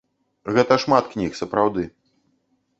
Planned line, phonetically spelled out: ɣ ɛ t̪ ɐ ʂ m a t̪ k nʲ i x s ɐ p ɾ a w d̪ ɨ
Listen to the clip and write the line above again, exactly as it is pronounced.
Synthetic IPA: ɣ ɛ t̪ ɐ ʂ m a t̪ k nʲ i x s ɐ p ɾ a w d̪ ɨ